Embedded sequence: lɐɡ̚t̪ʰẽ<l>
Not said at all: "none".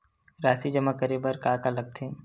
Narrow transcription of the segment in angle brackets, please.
none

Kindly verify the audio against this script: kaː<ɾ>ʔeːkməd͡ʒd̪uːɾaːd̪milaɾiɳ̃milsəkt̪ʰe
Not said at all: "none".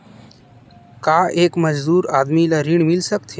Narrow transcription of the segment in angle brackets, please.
none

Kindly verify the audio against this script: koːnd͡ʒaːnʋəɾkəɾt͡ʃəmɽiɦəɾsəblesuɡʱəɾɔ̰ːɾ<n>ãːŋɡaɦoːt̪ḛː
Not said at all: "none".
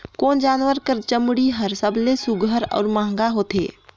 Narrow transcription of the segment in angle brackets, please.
m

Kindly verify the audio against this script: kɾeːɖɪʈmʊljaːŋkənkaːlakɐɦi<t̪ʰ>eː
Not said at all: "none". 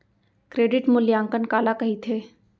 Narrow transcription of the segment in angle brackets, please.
t̪ʰ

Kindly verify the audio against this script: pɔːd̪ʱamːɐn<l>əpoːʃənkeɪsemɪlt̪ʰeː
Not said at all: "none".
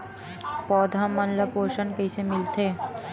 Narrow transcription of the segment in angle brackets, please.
l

